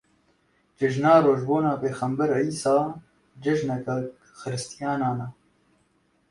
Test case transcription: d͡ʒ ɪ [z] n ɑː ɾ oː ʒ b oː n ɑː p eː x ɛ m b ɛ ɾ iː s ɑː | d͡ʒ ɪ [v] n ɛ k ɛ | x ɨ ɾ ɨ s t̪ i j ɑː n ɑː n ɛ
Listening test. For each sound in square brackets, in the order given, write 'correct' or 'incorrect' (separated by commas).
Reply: incorrect, incorrect